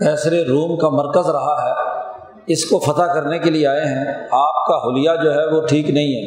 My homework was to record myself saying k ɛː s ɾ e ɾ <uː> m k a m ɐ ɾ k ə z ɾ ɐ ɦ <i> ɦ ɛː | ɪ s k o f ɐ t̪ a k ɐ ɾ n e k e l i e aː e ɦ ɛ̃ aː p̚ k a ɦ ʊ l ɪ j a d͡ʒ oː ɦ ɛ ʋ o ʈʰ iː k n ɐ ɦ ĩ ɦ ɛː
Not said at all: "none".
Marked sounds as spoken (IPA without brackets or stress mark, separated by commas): uː, a